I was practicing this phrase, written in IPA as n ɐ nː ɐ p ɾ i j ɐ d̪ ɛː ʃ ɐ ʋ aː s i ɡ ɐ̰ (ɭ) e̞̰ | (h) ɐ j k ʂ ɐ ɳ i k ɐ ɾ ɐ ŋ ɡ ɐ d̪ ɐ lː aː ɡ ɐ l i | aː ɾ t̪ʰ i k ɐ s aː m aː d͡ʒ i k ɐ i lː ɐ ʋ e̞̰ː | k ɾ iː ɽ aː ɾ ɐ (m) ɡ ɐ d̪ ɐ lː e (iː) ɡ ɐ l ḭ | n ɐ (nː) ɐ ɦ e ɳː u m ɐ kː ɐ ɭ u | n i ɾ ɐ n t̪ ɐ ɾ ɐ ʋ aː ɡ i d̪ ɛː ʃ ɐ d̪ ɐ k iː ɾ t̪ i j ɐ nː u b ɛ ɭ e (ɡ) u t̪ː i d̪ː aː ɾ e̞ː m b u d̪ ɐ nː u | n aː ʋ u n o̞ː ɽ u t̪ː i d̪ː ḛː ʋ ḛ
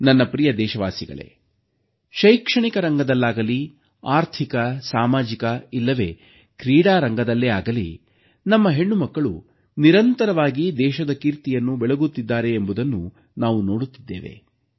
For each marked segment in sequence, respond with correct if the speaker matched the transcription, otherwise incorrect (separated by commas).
correct, incorrect, incorrect, incorrect, incorrect, correct